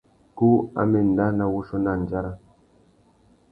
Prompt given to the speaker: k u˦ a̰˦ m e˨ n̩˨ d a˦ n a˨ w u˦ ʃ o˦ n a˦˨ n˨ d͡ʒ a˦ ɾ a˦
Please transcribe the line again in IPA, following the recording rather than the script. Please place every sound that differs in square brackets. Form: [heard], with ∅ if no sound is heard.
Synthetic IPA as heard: k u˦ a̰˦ m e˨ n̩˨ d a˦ n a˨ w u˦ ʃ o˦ n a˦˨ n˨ d͡ʒ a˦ ɾ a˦